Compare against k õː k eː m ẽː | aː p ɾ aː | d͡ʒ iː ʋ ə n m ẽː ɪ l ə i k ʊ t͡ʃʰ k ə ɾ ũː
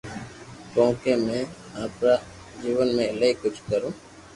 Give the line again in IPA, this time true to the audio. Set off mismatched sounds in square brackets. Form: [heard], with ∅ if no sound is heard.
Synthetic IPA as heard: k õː k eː m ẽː | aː p ɾ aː | d͡ʒ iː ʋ ə n m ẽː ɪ l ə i k ʊ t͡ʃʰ k ə ɾ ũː

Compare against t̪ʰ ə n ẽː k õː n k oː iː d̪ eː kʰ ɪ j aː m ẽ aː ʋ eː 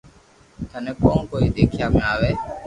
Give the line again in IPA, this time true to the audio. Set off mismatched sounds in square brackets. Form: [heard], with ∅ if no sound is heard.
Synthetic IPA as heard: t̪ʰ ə n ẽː k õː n k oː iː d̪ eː kʰ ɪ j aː m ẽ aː ʋ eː

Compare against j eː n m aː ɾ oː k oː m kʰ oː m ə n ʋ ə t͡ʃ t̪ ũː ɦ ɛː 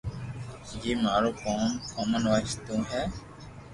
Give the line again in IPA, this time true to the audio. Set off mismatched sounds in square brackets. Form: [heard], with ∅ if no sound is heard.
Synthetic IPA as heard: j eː [∅] m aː ɾ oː k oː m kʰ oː m ə n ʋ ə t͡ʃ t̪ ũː ɦ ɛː

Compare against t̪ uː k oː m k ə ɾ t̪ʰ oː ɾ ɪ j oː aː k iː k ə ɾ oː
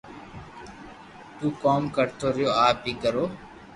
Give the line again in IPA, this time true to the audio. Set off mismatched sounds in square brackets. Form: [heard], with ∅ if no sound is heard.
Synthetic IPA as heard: t̪ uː k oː m k ə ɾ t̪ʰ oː ɾ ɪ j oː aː [p] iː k ə ɾ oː

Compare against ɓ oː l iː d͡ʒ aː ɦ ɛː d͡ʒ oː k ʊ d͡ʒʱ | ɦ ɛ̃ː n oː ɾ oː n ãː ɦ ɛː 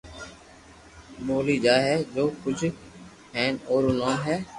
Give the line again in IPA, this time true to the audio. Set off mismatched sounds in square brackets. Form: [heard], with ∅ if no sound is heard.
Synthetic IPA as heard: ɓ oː l iː d͡ʒ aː ɦ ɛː d͡ʒ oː k ʊ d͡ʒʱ | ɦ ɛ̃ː n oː ɾ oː n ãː ɦ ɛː

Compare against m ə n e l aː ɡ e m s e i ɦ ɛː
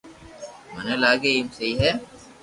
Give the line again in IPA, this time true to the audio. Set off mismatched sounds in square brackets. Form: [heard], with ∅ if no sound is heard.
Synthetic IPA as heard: m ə n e l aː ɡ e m s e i ɦ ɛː

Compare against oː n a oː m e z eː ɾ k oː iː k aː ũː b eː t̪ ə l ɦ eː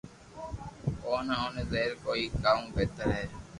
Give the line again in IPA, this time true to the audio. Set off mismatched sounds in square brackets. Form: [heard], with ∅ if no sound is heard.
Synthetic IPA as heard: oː n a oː [n] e z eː ɾ k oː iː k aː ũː b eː t̪ ə [ɾ] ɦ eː

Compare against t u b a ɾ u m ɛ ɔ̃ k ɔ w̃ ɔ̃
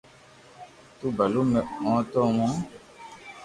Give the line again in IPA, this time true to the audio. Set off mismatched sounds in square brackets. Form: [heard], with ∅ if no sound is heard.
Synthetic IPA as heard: t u b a [l] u m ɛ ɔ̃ [t] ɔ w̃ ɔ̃

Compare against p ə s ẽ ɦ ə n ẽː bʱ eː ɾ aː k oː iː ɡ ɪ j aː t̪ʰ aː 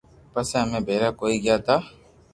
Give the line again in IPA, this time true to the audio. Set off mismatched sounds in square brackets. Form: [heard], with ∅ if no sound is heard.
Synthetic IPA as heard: p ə s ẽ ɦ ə [m] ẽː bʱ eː ɾ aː k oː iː ɡ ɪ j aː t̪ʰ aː

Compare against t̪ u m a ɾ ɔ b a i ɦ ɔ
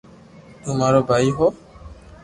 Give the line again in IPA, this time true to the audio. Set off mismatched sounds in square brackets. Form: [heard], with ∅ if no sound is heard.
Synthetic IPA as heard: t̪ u m a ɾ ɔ b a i ɦ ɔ

